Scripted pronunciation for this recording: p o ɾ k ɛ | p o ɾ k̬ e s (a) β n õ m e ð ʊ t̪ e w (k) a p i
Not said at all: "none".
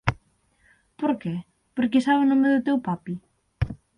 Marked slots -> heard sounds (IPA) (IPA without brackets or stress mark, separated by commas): a, p